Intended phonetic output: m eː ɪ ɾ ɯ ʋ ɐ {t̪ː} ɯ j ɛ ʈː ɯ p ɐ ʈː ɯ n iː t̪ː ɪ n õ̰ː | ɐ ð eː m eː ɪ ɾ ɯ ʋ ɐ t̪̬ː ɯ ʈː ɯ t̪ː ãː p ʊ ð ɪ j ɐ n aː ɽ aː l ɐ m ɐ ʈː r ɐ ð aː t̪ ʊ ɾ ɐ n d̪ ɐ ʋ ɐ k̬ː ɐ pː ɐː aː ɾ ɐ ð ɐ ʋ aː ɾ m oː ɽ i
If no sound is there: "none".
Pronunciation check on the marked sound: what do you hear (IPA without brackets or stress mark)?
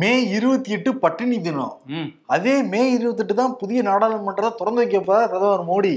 t̪ː